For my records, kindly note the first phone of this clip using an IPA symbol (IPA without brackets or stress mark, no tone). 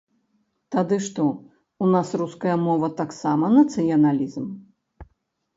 t̪